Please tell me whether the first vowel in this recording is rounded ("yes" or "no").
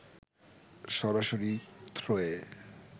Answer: yes